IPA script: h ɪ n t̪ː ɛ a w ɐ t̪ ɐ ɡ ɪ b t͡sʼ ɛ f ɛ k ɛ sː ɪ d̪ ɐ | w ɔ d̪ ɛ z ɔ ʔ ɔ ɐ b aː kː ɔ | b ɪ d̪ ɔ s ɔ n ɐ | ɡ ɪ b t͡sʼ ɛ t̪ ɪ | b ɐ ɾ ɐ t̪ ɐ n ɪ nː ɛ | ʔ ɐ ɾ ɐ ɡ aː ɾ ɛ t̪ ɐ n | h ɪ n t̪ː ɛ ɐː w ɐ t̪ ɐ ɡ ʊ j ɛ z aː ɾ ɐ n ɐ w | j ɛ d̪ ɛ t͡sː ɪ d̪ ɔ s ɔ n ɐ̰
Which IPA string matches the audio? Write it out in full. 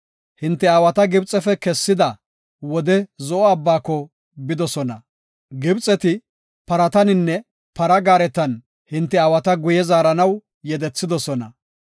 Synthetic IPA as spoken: h ɪ n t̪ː ɛ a w ɐ t̪ ɐ ɡ ɪ b t͡sʼ ɛ f ɛ k ɛ sː ɪ d̪ ɐ | w ɔ d̪ ɛ z ɔ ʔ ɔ ɐ bː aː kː ɔ | b ɪ d̪ ɔ s ɔ n ɐ | ɡ ɪ b t͡sʼ ɛ t̪ ɪ | p ɐ ɾ ɐ t̪ ɐ n ɪ nː ɛ | p ɐ ɾ ɐ ɡ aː ɾ ɛ t̪ ɐ n | h ɪ n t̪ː ɛ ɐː w ɐ t̪ ɐ ɡ ʊ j ɛ z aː ɾ ɐ n ɐ w | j ɛ d̪ ɛ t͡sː ɪ d̪ ɔ s ɔ n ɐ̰